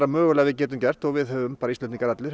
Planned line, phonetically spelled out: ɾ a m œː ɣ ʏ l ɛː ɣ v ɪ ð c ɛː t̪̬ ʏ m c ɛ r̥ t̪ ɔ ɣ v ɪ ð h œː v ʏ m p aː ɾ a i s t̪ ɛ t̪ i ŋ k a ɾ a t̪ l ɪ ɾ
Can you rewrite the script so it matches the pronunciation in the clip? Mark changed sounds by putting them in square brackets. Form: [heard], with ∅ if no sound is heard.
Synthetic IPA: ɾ a m œː ɣ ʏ l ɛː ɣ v ɪ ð c ɛː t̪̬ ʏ m c ɛ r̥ t̪ ɔ ɣ v ɪ ð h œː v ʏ m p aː ɾ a i s t̪ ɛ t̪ i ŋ k a ɾ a t̪ l ɪ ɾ